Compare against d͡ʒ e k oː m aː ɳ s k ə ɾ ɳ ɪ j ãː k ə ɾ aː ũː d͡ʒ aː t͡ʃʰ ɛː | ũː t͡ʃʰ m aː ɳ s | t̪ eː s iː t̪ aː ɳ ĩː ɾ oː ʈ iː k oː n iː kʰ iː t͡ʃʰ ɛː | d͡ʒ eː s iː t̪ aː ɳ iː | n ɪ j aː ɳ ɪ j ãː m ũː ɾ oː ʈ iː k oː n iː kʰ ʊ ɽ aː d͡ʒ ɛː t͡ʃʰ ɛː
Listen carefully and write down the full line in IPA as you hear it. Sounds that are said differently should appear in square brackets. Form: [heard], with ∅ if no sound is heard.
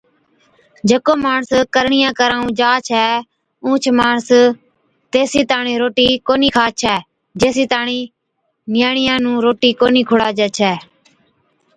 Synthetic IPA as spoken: d͡ʒ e k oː m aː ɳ s k ə ɾ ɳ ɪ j ãː k ə ɾ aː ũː d͡ʒ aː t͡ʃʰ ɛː | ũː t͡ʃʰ m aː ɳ s | t̪ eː s iː t̪ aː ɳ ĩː ɾ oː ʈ iː k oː n iː kʰ [aː] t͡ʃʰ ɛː | d͡ʒ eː s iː t̪ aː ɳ iː | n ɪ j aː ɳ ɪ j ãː [n] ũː ɾ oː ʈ iː k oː n iː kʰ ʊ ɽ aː d͡ʒ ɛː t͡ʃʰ ɛː